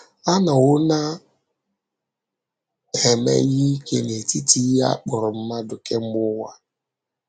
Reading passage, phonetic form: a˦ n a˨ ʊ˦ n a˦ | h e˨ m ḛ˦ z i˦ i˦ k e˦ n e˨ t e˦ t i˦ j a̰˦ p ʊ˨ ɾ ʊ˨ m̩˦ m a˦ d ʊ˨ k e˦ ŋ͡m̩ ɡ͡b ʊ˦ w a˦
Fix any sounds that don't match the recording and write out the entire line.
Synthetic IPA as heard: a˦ n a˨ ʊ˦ n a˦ | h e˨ m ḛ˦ ɣ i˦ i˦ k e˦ n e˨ t i˦ t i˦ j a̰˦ k͡p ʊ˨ ɾ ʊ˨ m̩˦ m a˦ d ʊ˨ k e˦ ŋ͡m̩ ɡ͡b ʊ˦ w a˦